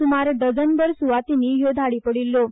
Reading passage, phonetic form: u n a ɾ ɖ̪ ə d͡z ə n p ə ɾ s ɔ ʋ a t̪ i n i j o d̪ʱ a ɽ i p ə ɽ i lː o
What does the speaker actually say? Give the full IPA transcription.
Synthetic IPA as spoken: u m a ɾ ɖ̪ ə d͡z ə n b ə ɾ s u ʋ a t̪ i n i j o d̪ʱ a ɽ i p ə ɽ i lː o